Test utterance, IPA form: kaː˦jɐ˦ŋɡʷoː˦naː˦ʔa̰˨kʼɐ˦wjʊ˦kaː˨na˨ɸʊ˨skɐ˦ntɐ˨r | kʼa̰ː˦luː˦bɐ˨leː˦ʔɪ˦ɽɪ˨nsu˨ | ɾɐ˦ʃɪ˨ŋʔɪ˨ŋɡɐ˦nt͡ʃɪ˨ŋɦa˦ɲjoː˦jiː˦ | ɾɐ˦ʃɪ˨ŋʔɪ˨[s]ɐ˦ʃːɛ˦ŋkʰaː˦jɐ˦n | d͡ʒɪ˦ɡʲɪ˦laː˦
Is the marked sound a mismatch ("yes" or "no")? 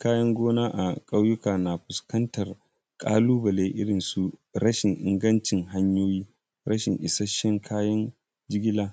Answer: no